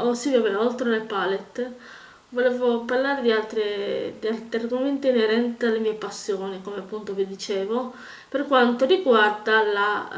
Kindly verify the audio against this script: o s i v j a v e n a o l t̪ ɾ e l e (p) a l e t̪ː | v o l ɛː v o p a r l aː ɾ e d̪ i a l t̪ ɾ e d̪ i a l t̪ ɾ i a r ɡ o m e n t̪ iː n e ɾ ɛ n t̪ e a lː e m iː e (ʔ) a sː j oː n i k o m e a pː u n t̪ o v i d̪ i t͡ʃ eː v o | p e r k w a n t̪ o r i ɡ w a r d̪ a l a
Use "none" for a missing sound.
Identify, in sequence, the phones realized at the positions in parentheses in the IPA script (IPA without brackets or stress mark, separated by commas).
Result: p, p